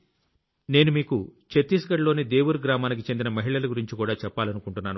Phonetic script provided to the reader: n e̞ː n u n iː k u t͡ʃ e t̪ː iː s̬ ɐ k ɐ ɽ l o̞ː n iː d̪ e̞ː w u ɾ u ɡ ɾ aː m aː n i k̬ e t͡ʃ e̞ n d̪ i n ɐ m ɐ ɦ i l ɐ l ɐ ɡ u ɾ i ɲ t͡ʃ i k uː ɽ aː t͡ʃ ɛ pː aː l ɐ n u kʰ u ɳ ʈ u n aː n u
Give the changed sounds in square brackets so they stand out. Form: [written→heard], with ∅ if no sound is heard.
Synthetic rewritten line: n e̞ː n u [n→m] iː k u t͡ʃ e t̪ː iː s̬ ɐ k ɐ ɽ l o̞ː n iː d̪ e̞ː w u ɾ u ɡ ɾ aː m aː n i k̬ [e→i] t͡ʃ e̞ n d̪ i n ɐ m ɐ ɦ i [l→ɭ] ɐ l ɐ ɡ u ɾ i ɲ t͡ʃ i k uː ɽ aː t͡ʃ ɛ pː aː l ɐ n u [kʰ→k] u ɳ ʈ u [n→nː] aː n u